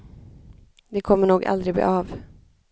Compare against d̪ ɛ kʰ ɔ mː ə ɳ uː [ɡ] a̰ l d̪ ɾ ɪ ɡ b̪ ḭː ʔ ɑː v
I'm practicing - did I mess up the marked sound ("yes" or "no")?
no